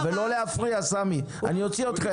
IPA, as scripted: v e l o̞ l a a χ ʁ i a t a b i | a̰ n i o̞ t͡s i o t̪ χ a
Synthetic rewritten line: v e l o̞ l e a f ʁ i a s a m i | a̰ n i o̞ t͡s i o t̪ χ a